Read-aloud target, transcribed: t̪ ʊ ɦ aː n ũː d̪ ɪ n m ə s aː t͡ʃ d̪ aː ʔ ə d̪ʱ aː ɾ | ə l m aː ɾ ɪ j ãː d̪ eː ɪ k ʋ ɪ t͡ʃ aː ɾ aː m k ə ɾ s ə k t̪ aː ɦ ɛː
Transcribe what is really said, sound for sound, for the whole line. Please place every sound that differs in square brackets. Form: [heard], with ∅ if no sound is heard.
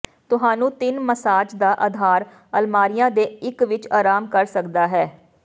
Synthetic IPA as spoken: t̪ ʊ ɦ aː n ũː [t̪] ɪ n m ə s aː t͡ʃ d̪ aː ʔ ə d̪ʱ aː ɾ | ə l m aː ɾ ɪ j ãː d̪ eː ɪ k ʋ ɪ t͡ʃ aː ɾ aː m k ə ɾ s ə k [d̪] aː ɦ ɛː